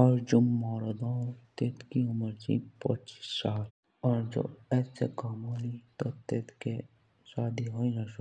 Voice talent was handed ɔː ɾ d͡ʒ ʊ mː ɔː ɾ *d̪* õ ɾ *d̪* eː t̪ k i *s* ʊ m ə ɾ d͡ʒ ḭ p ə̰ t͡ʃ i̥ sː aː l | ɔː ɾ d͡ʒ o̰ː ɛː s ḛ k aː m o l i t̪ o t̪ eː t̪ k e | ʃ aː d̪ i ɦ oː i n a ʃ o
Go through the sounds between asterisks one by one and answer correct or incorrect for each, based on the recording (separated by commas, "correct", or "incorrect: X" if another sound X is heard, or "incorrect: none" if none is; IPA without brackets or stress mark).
correct, incorrect: t̪, incorrect: none